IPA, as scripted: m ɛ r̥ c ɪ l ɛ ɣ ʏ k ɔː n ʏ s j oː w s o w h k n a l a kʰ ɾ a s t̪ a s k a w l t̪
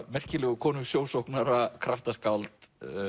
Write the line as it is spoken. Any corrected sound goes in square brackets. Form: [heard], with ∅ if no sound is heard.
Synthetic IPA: m ɛ r̥ c ɪ l ɛ ɣ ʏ [kʰ] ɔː n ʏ s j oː w s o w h k n a [ɾ] a kʰ ɾ a [f] t̪ a s k a w l t̪